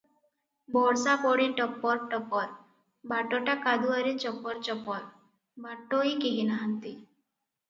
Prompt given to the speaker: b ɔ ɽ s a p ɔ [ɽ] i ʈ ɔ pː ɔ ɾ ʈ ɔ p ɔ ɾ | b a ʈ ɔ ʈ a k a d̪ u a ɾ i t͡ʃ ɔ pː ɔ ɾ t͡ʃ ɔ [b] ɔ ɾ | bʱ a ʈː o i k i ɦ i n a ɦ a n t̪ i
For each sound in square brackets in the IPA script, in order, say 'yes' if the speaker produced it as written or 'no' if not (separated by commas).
yes, no